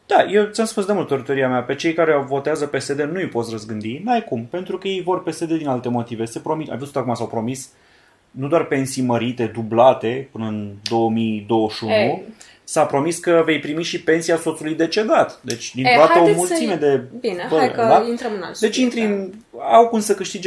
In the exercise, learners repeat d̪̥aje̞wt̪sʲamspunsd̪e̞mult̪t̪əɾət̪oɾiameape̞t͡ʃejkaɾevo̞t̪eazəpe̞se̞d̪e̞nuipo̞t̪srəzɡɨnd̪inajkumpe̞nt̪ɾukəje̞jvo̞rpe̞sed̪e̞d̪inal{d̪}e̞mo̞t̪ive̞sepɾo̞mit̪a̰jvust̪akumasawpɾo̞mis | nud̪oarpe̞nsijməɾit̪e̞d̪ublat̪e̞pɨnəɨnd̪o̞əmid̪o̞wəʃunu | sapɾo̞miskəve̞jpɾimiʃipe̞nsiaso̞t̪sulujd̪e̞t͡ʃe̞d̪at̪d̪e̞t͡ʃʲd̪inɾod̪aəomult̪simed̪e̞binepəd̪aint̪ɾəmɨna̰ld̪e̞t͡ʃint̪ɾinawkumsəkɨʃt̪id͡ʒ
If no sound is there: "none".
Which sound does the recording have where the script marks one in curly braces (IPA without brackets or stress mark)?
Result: t̪